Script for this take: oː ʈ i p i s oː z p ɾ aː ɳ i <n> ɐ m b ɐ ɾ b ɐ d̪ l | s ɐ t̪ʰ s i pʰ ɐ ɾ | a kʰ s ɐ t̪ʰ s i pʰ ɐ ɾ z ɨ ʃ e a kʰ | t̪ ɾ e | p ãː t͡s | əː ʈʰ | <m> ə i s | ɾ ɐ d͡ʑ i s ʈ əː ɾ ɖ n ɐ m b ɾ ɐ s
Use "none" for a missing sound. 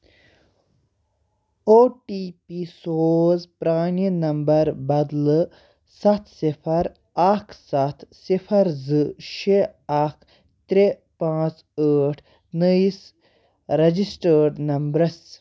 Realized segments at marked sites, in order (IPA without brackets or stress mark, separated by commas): n, n